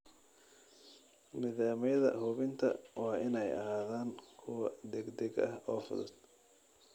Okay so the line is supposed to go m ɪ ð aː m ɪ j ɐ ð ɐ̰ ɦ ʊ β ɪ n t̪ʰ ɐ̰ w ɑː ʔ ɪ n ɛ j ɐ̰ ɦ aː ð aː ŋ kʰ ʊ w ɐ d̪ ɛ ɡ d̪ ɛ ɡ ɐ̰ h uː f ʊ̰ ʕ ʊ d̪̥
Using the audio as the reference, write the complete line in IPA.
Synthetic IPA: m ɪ ð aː m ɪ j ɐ ð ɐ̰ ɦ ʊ β ɪ n t̪ʰ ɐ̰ w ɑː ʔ ɪ n ɛ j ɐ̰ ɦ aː ð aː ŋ kʰ ʊ w ɐ d̪ ɛ ɡ d̪ ɛ ɡ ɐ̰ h ɔː f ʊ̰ ð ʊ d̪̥